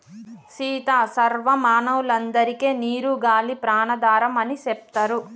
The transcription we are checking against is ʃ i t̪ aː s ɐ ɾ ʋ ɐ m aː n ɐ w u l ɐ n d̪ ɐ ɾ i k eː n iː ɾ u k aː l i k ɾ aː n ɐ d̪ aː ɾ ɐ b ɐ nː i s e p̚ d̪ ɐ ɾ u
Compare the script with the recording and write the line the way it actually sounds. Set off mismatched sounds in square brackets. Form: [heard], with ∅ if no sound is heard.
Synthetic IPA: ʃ [iː] t̪ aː s ɐ ɾ ʋ ɐ m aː n ɐ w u l ɐ n d̪ ɐ ɾ i k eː n iː ɾ u [ɡ] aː l i [p] ɾ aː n ɐ d̪ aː ɾ ɐ [m] ɐ [n] i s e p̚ [t̪] ɐ ɾ u